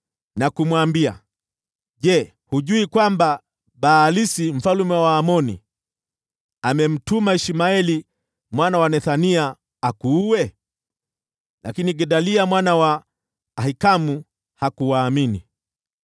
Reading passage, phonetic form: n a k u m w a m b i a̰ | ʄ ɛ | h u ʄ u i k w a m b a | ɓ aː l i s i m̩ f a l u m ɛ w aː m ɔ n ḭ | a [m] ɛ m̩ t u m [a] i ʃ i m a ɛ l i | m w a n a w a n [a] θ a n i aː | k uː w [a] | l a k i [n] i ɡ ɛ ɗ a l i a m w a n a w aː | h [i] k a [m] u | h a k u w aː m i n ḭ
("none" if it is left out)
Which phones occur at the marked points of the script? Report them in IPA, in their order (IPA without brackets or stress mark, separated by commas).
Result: m, a, ɛ, ɛ, n, i, m